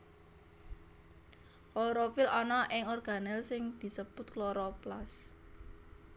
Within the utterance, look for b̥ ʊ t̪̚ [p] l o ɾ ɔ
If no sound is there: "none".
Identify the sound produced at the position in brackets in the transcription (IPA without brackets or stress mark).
k